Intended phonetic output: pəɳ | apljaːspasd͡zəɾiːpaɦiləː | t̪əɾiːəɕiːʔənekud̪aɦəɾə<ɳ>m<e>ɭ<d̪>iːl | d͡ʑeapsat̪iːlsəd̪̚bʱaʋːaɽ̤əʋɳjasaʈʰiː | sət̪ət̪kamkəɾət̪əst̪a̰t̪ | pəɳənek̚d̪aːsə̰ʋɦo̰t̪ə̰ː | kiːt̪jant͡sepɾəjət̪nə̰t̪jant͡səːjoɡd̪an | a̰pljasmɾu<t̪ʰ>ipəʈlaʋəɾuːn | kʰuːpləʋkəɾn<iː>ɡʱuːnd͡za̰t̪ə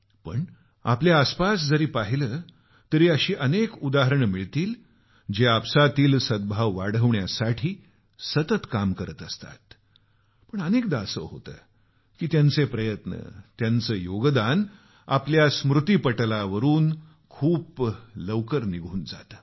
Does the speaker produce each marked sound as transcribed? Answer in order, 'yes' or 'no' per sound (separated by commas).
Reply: yes, no, no, no, no